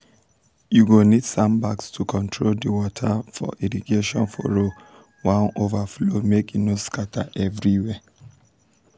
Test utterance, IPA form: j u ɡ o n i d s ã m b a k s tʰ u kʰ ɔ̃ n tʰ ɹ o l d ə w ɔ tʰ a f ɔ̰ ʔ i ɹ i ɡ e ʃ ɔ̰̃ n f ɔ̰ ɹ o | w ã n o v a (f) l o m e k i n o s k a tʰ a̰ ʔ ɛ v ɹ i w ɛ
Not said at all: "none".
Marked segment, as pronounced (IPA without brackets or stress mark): f